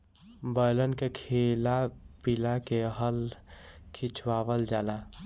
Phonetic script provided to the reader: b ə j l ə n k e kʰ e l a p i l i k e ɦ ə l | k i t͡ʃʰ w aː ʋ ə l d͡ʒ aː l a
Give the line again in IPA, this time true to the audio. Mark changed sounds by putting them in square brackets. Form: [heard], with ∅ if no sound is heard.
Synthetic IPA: b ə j l ə n k e kʰ e l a p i l [a] k e ɦ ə l | [kʰ] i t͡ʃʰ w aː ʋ ə l d͡ʒ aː l a